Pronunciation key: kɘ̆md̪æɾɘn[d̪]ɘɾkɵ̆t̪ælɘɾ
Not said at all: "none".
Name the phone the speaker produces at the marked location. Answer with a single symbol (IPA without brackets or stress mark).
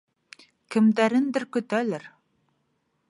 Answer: d̪